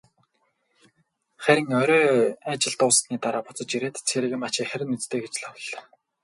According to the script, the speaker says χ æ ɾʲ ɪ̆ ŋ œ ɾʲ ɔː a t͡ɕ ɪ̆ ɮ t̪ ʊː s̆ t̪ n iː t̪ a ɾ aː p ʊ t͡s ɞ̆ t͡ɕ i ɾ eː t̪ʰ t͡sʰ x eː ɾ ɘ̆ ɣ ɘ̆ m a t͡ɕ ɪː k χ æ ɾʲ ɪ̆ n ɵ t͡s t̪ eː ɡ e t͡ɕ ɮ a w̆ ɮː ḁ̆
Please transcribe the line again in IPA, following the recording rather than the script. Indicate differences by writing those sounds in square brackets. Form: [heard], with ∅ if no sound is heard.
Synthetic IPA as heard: χ æ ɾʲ ɪ̆ ŋ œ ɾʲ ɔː a t͡ɕ ɪ̆ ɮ t̪ ʊː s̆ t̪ n iː t̪ a ɾ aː p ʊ t͡s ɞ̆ t͡ɕ i ɾ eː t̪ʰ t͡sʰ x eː ɾ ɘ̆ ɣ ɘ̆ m a t͡ɕ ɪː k χ æ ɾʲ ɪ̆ n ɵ t͡s t̪ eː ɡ e t͡ɕ ɮ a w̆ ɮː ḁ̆